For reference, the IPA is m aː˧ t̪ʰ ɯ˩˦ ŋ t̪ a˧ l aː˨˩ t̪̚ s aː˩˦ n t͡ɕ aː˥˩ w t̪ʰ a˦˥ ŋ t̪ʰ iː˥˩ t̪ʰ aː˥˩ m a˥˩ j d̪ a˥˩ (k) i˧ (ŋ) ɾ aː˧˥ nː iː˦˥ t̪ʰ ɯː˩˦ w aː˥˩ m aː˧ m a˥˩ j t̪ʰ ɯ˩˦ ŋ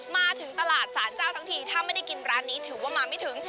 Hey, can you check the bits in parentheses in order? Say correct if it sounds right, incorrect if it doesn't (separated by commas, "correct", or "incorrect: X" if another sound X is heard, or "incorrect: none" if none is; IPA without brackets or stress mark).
correct, incorrect: n